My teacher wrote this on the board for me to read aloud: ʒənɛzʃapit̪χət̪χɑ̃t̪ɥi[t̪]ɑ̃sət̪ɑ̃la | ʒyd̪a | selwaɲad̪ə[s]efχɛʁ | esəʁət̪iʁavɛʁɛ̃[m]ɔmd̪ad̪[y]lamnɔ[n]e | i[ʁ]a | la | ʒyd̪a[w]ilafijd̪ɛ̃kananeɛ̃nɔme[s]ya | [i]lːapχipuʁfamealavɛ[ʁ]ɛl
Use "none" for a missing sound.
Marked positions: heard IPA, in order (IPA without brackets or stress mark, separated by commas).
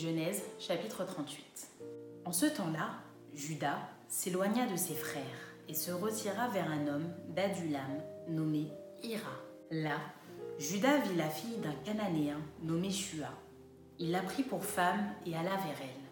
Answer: t̪, s, n, y, m, ʁ, v, ʃ, i, ʁ